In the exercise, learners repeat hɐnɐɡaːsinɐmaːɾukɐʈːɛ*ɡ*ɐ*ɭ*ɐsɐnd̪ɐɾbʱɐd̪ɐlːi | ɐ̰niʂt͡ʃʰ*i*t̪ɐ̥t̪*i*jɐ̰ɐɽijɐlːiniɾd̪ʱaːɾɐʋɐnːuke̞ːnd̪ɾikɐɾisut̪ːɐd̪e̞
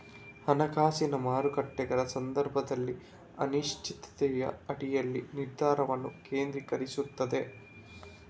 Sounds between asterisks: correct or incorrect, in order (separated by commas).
correct, incorrect, correct, incorrect